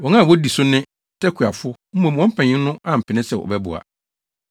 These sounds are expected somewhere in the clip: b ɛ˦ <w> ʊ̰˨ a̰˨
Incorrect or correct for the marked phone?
incorrect: b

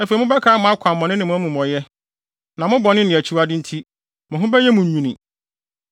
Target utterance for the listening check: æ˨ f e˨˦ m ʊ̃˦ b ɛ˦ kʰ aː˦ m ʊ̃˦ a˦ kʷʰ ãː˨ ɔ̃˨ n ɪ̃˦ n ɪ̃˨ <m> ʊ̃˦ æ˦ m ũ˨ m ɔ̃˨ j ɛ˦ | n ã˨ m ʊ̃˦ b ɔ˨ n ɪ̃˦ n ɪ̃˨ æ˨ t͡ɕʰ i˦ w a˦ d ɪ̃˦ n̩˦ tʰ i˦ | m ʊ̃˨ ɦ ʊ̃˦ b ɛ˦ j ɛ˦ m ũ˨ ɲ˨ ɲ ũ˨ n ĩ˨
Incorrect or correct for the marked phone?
correct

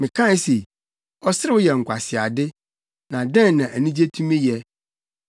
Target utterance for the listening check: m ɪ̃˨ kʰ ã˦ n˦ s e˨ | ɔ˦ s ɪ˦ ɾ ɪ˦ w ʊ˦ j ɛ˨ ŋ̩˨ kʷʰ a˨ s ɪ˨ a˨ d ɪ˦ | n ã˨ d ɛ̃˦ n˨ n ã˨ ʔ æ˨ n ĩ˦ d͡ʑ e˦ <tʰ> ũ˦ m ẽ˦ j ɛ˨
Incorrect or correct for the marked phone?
correct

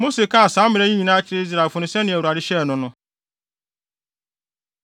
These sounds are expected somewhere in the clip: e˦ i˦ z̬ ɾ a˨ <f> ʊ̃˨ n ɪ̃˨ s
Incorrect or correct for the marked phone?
correct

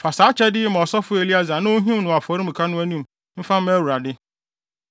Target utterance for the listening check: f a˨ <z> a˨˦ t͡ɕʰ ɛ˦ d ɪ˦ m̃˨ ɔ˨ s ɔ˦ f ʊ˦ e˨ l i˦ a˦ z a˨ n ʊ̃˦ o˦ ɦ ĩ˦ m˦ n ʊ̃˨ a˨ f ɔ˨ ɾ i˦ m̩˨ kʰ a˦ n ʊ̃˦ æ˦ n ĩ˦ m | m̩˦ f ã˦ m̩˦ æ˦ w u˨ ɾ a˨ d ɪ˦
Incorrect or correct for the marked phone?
incorrect: s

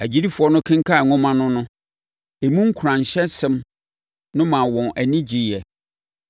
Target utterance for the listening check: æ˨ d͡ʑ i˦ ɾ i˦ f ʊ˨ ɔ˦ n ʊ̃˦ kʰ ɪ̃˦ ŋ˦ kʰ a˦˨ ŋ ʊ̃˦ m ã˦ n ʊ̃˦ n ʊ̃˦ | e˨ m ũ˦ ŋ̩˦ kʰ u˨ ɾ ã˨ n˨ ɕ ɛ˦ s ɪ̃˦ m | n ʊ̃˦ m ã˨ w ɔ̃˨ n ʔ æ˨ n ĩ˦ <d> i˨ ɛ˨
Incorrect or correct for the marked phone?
incorrect: d͡ʑ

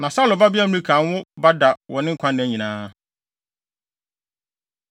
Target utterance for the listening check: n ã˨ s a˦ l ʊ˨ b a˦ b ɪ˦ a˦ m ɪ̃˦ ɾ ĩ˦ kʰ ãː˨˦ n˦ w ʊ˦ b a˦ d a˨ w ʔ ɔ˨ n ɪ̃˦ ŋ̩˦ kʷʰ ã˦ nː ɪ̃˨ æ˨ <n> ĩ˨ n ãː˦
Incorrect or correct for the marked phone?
incorrect: ɲ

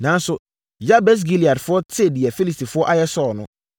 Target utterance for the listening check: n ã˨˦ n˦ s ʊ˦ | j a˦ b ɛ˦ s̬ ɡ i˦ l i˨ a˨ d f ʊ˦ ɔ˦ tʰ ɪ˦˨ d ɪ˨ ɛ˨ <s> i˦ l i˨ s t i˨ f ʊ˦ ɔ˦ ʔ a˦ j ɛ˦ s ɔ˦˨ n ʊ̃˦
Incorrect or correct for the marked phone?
incorrect: f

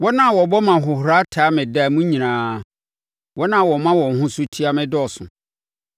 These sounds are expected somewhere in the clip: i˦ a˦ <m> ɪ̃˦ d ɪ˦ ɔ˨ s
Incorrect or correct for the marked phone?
correct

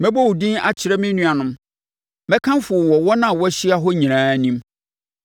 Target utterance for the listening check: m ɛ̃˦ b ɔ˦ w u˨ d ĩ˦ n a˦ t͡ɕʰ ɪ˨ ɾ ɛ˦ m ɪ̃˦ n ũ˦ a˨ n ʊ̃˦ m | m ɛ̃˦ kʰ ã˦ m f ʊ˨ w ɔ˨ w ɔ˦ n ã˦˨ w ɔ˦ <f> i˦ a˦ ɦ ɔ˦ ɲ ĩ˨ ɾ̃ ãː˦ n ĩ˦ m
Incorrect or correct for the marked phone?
incorrect: ɕ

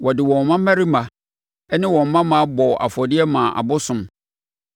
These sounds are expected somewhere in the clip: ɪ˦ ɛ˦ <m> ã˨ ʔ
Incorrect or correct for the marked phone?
correct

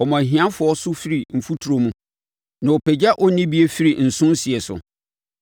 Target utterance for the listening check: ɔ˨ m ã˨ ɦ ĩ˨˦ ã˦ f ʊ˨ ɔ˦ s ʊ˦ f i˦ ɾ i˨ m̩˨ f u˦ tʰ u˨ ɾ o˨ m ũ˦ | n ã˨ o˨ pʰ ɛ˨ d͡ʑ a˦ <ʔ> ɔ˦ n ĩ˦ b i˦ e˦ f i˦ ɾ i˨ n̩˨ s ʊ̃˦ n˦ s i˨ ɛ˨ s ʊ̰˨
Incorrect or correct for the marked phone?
correct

